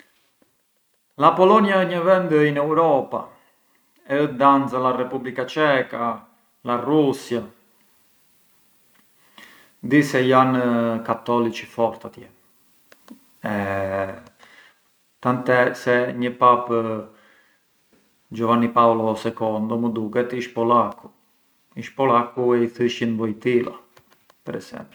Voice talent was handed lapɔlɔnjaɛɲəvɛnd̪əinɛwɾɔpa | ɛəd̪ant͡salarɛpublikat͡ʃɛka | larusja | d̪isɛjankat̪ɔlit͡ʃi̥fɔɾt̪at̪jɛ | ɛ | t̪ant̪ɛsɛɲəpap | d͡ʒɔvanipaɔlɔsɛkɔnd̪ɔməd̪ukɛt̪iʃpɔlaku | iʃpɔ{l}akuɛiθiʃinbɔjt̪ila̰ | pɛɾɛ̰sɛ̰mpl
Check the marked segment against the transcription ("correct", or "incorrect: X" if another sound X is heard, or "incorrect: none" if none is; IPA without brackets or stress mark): correct